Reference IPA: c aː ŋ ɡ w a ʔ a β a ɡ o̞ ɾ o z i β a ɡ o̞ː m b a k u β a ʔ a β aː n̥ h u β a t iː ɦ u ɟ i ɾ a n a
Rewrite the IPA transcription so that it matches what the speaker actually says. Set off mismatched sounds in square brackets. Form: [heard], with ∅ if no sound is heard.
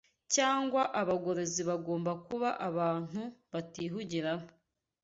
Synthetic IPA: c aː ŋ ɡ w a ʔ a β a ɡ o̞ ɾ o z i β a ɡ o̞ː m b a k u β a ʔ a β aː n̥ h u β a t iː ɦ u ɟ i ɾ a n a